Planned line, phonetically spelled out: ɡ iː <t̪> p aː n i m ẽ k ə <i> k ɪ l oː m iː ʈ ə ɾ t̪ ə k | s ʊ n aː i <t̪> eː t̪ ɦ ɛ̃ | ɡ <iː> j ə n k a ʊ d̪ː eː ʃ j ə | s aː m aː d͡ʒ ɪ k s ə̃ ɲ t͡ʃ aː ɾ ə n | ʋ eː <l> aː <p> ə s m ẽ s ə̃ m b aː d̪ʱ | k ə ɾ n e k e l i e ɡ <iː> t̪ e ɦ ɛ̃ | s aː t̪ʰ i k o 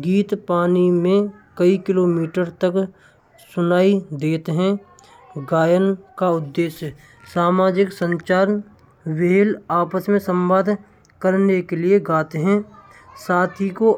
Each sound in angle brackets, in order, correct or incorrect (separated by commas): correct, correct, incorrect, incorrect, correct, correct, incorrect